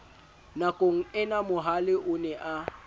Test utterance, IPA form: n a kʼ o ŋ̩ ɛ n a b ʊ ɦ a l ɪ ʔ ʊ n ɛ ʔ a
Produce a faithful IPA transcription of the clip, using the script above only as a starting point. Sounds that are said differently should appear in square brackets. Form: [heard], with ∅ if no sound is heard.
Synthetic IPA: n a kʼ o ŋ̩ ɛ n a [m] ʊ ɦ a l ɪ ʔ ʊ n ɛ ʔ a